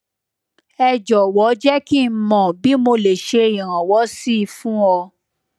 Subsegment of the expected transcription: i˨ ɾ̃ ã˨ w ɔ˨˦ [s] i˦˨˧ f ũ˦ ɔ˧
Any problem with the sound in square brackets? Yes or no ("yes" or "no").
no